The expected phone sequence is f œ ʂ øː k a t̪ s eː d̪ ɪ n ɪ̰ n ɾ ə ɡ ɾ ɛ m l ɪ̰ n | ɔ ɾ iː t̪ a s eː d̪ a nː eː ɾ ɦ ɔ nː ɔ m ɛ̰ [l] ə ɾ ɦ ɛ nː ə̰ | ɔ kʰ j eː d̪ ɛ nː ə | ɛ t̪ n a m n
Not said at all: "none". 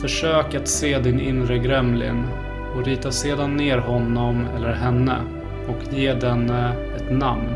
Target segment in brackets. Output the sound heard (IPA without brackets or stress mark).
lː